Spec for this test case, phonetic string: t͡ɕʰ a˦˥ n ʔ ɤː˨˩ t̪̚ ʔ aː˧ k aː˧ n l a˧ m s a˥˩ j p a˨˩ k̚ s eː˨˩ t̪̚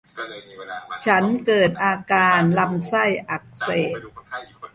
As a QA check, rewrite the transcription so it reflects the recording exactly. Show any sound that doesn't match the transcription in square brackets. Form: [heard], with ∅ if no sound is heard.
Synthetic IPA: t͡ɕʰ a˦˥ n [k] ɤː˨˩ t̪̚ ʔ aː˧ k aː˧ n l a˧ m s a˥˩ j [ʔ] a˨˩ k̚ s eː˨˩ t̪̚